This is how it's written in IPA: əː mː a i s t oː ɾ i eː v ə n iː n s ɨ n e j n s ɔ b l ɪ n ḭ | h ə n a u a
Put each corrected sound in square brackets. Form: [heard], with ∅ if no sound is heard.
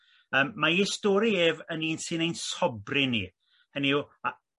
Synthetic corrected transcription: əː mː a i s t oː ɾ i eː v ə n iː n s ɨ n e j n s ɔ b [r] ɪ n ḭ | h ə n [i] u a